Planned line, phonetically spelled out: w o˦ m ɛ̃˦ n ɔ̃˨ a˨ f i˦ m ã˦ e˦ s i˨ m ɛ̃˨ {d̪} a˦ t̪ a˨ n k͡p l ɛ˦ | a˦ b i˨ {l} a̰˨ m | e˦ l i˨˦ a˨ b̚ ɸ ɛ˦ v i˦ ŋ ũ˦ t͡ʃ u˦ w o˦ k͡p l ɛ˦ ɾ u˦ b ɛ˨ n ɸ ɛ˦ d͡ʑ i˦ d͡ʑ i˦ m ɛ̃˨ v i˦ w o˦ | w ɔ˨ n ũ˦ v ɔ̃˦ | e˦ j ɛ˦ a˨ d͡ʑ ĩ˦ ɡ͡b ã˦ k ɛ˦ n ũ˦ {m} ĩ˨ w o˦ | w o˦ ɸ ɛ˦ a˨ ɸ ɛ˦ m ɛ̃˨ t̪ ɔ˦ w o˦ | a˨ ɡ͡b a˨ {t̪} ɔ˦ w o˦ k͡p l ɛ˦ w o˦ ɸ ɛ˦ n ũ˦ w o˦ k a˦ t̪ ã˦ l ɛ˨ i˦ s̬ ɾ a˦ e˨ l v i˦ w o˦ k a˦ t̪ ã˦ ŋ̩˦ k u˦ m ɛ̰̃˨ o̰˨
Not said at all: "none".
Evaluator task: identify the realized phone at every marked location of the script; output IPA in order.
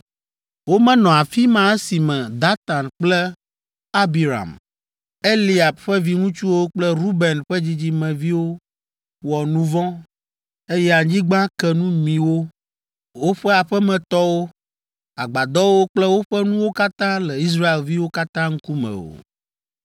d̪, ɾ, m, d̪

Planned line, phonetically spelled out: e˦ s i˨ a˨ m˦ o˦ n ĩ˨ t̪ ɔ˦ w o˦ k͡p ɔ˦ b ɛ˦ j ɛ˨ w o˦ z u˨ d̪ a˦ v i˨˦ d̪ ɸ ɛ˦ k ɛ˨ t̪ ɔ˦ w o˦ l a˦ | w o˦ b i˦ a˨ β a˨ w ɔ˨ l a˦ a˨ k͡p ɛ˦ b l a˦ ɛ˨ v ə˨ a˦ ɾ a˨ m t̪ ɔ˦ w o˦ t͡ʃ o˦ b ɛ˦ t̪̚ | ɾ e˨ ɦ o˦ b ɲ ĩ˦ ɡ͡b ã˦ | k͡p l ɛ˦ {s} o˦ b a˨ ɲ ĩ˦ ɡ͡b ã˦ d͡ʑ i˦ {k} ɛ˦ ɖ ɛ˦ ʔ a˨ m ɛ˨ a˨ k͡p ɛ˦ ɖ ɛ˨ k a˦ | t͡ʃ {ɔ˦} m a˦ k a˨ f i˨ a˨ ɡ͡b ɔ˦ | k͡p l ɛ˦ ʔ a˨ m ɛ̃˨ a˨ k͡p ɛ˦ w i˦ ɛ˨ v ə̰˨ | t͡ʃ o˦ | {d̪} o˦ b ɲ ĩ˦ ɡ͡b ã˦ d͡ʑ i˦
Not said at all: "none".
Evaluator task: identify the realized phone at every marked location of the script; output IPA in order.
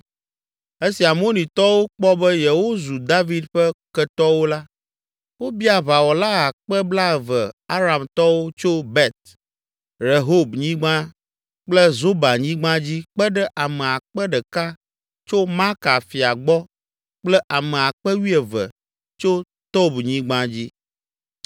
z, k͡p, o˦, t̪

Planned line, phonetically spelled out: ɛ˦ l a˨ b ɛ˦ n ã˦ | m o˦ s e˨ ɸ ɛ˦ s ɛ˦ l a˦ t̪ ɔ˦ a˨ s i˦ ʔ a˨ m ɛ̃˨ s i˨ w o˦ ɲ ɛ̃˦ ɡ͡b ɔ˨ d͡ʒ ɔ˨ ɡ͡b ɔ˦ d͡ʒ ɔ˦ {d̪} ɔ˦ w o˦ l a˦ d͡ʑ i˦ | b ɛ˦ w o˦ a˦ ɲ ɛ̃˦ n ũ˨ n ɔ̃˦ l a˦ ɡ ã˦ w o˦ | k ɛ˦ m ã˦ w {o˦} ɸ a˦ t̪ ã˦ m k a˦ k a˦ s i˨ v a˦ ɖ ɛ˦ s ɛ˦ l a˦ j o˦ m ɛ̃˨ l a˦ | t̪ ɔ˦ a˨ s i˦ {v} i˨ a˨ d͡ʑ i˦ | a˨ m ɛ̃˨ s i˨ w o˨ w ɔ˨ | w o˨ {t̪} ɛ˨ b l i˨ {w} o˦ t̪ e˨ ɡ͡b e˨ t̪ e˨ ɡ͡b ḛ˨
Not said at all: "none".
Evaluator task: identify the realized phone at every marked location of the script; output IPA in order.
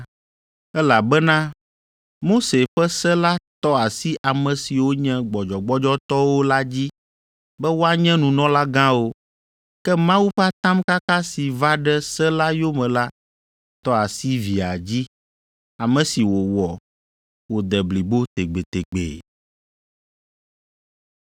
t̪, u˦, v, d̪, b

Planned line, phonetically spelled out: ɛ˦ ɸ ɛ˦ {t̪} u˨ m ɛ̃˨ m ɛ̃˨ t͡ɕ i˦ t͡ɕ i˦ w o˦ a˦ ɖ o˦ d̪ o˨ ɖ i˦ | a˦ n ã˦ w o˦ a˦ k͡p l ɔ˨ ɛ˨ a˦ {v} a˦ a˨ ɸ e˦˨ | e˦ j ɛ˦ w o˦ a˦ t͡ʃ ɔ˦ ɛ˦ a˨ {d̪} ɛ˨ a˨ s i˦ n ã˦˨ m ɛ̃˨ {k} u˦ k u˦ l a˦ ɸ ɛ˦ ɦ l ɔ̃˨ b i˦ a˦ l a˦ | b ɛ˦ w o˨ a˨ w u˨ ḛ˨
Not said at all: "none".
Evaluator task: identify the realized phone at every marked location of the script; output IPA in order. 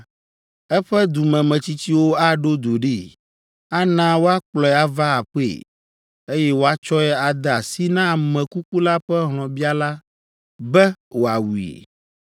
d̪, v, d̪, k

